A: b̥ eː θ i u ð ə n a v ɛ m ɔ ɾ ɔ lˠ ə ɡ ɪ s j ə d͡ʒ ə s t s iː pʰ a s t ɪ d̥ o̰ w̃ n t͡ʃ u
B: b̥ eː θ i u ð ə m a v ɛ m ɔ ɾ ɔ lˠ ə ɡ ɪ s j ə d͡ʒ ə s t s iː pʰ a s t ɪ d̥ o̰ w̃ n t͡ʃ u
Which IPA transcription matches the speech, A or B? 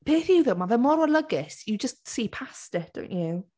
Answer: B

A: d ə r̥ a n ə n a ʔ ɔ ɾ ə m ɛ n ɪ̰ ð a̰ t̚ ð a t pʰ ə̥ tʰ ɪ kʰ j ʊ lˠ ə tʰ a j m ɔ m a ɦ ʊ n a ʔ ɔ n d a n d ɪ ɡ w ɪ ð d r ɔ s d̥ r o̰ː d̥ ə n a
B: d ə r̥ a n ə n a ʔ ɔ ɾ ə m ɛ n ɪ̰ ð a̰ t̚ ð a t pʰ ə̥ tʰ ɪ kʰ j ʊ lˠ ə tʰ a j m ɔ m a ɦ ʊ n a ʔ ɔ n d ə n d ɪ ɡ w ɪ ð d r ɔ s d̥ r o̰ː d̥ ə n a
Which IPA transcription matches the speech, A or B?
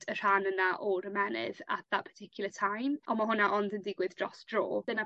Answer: B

